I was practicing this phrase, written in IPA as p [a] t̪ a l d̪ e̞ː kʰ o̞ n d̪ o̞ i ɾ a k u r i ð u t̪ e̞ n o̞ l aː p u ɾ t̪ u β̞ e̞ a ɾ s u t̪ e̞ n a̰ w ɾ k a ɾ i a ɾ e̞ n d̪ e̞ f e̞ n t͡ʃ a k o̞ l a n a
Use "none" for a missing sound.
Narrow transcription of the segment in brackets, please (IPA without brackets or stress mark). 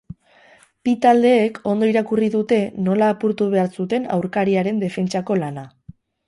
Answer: i